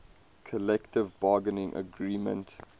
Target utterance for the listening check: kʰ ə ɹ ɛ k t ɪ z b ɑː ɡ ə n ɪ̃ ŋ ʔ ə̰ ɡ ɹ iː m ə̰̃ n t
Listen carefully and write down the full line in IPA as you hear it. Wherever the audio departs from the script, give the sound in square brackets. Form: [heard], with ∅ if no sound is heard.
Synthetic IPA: kʰ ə [l] ɛ k t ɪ [v] b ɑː ɡ ə n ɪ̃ ŋ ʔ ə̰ ɡ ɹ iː m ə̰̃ n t